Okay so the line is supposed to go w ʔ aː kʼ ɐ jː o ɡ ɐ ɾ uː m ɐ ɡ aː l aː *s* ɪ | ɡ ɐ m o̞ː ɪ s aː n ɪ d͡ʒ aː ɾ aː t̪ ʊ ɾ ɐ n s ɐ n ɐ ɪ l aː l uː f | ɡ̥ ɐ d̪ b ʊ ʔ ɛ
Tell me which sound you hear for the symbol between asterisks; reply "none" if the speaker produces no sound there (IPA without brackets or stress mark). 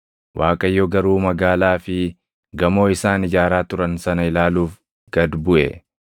f